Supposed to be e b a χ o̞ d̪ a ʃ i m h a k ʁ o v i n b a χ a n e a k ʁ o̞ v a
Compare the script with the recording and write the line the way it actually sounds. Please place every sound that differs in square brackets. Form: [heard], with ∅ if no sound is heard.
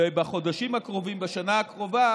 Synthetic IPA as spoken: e b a χ o̞ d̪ a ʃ i m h a k ʁ o v i [m] b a [ʃ] a n [a] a k ʁ o̞ v a